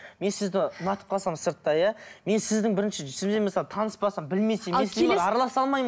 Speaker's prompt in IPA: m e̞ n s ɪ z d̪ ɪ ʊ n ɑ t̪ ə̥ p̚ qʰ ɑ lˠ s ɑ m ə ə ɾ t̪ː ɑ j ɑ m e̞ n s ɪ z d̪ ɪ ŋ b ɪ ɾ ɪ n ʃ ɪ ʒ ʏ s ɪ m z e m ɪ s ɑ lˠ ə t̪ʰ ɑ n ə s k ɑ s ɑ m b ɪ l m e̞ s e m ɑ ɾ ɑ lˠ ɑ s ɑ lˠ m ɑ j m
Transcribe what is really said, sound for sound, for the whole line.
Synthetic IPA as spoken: m e̞ n s ɪ z d̪ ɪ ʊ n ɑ t̪ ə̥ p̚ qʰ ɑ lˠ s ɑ m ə ə ɾ t̪ː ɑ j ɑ m e̞ n s ɪ z d̪ ɪ ŋ b ɪ ɾ ɪ n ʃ ɪ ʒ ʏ s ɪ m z e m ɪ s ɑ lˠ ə t̪ʰ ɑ n ə s p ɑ s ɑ m b ɪ l m e̞ s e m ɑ ɾ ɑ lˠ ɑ s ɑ lˠ m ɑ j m